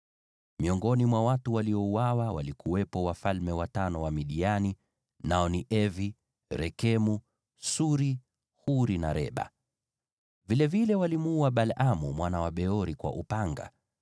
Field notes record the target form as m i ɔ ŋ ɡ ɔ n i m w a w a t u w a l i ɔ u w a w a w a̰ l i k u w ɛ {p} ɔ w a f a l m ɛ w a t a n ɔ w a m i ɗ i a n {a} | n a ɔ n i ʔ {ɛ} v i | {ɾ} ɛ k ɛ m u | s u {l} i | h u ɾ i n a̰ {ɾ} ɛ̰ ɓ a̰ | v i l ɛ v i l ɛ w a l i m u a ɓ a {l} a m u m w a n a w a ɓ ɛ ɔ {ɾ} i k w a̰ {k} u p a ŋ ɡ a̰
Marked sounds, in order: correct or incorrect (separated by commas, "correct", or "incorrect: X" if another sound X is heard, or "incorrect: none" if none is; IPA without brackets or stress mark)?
correct, incorrect: i, correct, correct, incorrect: ɾ, correct, correct, correct, incorrect: ʔ